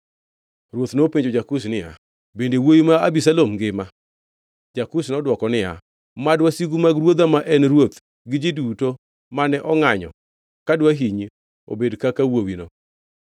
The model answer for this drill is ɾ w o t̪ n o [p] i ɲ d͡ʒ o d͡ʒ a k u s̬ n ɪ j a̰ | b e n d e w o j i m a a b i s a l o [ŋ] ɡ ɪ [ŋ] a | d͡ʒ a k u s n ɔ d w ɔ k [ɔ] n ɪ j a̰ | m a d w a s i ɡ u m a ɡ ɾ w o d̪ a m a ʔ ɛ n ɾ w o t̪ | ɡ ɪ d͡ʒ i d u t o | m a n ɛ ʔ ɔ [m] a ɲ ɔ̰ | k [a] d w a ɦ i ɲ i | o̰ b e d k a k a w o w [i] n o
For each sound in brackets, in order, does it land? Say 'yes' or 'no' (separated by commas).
yes, no, no, yes, no, yes, yes